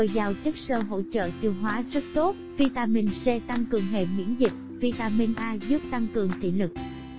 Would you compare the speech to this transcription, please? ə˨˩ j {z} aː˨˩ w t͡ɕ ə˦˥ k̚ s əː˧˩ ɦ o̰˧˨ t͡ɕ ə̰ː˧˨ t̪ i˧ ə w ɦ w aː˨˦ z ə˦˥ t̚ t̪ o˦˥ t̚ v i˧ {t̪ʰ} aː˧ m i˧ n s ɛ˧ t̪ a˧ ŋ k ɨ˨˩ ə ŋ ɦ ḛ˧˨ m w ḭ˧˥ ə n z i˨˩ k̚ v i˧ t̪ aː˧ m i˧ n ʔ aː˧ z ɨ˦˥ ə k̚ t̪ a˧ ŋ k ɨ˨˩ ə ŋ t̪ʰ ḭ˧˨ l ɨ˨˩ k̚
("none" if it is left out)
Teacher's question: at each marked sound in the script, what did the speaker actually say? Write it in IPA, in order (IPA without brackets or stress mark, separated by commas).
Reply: z, t̪